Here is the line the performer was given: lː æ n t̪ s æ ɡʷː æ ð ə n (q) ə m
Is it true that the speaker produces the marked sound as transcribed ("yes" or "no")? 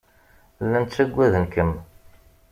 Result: no